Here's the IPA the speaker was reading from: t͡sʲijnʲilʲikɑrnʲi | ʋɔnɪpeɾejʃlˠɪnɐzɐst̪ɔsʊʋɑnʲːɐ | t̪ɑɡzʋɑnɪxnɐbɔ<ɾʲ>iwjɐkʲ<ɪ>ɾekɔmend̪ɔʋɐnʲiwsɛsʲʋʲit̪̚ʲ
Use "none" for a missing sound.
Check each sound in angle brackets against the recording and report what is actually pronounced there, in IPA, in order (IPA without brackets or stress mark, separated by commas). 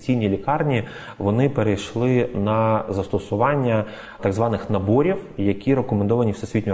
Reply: ɾʲ, i